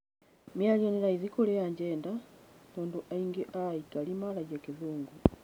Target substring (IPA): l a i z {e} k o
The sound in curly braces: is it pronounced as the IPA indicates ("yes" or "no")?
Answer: no